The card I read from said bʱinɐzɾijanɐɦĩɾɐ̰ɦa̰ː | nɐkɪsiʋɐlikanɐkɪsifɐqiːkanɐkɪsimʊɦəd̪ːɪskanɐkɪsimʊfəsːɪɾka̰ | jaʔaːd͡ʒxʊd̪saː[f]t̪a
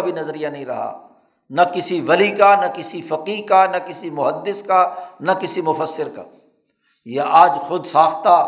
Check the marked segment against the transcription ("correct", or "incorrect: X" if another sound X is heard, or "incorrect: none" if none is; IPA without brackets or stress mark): incorrect: x